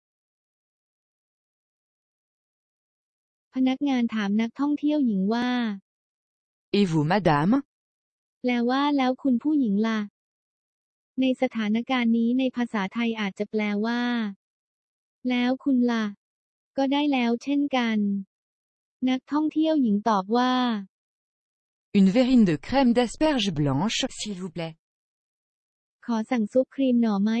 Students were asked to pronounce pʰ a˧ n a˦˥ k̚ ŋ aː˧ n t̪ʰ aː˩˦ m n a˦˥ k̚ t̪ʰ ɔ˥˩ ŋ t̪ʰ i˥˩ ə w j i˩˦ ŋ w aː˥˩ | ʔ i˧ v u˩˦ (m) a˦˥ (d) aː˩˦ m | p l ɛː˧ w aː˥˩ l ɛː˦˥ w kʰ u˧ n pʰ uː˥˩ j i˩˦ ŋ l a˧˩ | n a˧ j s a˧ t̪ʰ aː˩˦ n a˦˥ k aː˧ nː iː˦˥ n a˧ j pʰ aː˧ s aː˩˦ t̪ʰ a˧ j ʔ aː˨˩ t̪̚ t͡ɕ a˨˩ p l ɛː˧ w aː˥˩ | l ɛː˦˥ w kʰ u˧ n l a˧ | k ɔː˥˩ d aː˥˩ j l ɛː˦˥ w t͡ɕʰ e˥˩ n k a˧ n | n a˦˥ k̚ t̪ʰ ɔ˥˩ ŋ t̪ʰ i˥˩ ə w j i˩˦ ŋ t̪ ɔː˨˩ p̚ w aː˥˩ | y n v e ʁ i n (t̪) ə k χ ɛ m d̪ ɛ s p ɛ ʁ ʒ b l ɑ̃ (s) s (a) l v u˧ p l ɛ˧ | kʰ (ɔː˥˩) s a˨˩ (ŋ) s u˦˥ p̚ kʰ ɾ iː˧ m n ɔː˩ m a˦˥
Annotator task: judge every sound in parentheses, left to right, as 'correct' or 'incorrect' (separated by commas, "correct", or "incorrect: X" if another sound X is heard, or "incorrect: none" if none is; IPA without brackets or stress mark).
correct, correct, incorrect: d̪, incorrect: ʃ, incorrect: i, incorrect: ɔː˩˦, correct